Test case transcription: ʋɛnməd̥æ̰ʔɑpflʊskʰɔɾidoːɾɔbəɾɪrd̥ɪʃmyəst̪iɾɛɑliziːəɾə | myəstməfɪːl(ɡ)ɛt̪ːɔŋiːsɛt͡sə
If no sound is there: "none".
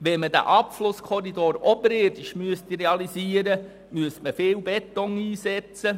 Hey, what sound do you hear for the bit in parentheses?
b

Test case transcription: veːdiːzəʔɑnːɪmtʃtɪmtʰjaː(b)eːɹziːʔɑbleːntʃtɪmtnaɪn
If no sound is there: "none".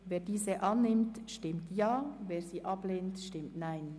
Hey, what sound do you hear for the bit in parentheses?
v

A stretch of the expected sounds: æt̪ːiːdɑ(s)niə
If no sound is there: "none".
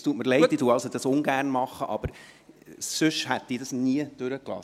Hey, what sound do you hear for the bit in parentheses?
s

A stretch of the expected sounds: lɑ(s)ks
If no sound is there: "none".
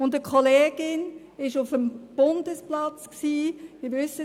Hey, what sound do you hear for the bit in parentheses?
t͡s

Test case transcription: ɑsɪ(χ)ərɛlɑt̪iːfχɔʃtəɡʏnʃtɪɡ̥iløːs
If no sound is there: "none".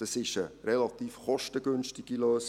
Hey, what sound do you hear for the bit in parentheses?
ʃ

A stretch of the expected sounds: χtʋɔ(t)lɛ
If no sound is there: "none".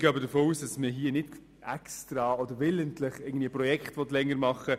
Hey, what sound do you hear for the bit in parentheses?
t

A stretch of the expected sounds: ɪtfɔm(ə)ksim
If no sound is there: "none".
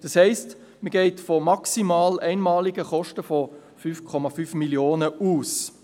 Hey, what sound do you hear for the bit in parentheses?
ɑ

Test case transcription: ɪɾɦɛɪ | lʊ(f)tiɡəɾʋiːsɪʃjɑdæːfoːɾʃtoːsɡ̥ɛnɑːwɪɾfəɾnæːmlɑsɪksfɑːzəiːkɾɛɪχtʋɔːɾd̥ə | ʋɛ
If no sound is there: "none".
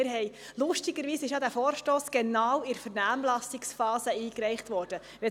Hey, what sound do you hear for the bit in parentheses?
ʃ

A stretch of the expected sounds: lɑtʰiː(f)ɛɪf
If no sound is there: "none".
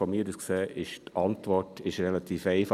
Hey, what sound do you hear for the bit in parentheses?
f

